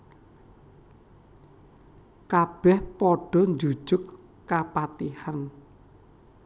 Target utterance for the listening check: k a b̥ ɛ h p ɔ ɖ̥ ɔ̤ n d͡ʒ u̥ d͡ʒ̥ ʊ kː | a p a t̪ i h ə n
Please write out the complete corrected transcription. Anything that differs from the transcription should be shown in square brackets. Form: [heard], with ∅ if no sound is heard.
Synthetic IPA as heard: k a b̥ ɛ h p ɔ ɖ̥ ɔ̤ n d͡ʒ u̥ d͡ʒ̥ ʊ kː | a p a t̪ i h [a] n

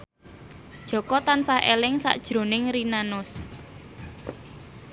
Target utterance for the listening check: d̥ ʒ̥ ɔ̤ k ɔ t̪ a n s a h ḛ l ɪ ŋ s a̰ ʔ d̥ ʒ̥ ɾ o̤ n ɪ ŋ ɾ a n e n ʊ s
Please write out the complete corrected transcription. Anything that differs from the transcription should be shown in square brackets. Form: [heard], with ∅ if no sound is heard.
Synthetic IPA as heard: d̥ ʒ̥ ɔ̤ k ɔ t̪ a n s a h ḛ l ɪ ŋ s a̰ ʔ d̥ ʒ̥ ɾ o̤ n ɪ ŋ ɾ [i] n [a] n ʊ s

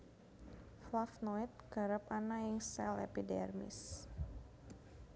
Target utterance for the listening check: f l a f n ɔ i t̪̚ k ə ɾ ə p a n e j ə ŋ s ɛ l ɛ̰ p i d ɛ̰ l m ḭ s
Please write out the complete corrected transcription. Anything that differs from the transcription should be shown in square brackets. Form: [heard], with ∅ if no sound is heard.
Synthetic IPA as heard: f l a f n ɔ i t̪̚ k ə ɾ ə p a n [a] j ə ŋ s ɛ l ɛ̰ p i d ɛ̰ [r] m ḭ s

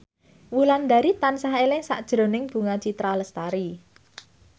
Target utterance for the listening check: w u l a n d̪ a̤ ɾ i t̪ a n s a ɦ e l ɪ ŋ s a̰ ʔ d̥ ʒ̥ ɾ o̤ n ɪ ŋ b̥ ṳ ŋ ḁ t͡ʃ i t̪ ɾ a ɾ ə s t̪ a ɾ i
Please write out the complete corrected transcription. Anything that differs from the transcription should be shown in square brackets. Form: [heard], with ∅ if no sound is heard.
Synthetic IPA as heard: w u l a n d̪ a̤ ɾ i t̪ a n s a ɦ e l ɪ ŋ s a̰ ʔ d̥ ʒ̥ ɾ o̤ n ɪ ŋ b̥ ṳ ŋ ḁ t͡ʃ i t̪ ɾ a [l] ə s t̪ a ɾ i

